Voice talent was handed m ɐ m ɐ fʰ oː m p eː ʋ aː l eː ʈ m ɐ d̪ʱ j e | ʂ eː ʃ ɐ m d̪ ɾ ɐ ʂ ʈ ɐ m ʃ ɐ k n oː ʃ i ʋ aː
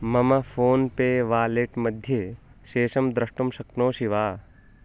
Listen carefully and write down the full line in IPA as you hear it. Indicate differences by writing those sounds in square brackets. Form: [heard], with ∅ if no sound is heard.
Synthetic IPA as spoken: m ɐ m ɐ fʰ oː [n] p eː ʋ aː l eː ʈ m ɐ d̪ʱ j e | [ʃ] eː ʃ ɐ m d̪ ɾ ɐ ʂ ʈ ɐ m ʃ ɐ k n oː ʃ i ʋ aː

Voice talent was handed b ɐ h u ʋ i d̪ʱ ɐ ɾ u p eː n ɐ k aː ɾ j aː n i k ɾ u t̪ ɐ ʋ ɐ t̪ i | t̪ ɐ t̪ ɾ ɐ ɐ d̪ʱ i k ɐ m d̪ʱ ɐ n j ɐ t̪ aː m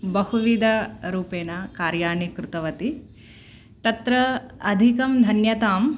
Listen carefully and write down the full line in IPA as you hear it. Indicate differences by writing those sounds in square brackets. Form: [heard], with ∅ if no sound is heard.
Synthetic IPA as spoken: b ɐ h u ʋ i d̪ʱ ɐ ɾ [uː] p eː n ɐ k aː ɾ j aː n i k ɾ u t̪ ɐ ʋ ɐ t̪ i | t̪ ɐ t̪ ɾ ɐ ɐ d̪ʱ i k ɐ m d̪ʱ ɐ n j ɐ t̪ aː m

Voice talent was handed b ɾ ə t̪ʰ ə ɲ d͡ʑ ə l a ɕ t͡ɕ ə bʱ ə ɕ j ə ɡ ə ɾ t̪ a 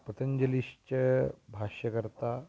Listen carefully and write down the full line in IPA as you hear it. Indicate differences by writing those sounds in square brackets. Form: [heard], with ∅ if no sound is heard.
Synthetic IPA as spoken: [p] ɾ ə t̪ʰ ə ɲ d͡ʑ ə l [i] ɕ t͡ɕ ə bʱ [a] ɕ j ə [k] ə ɾ t̪ a

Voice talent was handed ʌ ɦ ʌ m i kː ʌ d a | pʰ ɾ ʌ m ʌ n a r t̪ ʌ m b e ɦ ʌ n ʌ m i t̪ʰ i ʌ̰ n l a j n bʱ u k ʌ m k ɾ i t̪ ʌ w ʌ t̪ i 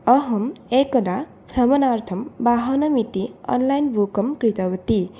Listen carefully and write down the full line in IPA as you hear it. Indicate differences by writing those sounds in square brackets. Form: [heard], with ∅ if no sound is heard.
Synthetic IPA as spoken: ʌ ɦ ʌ m [e] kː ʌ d a | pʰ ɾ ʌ m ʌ n a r [t̪ʰ] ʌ m b [a] ɦ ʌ n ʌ m i [t̪] i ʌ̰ n l a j n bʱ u k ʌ m k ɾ i t̪ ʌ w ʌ t̪ i

